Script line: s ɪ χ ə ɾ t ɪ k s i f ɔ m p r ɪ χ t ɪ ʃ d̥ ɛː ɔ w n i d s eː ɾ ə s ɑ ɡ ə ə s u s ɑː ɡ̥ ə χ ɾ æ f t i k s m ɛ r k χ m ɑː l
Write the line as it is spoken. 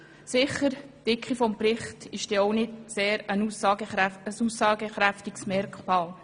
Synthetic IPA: s ɪ χ ə ɾ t ɪ k χ i f ɔ m p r ɪ χ t ɪ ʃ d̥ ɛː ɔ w n ɪ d s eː ɾ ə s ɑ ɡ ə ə s u s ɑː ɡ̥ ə χ ɾ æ f t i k s m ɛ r k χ m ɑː l